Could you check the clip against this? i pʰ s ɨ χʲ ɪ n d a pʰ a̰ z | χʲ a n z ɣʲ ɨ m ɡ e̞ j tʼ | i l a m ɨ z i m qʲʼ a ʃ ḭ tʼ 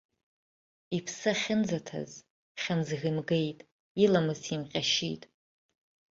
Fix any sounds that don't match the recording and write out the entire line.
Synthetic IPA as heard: i pʰ s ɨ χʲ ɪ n d͡z a tʰ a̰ z | χʲ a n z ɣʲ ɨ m ɡ e̞ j tʼ | i l a m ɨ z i m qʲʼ a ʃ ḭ tʼ